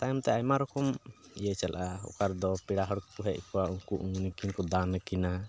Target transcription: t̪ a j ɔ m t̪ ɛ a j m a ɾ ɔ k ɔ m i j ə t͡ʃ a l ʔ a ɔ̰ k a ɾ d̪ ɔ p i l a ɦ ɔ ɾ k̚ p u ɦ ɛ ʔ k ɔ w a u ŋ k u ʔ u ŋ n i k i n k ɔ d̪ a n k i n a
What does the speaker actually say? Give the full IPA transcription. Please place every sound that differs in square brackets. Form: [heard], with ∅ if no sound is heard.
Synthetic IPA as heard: t̪ a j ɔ m t̪ ɛ a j m a ɾ ɔ k ɔ m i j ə t͡ʃ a l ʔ a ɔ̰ k a ɾ d̪ ɔ p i [ɽ] a ɦ ɔ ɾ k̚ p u ɦ ɛ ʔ k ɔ w a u ŋ k u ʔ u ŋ n i k i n k ɔ d̪ a n k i n a